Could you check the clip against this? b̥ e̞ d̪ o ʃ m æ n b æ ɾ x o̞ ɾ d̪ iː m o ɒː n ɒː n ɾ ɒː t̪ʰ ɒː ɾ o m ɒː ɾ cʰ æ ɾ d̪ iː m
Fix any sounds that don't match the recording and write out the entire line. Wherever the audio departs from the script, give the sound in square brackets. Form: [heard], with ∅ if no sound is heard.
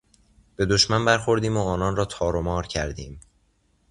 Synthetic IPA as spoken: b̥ e̞ d̪ o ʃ m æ n b æ ɾ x o̞ ɾ d̪ iː m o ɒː n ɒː n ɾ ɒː t̪ʰ ɒː ɾ o m ɒː ɾ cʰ æ ɾ d̪ iː m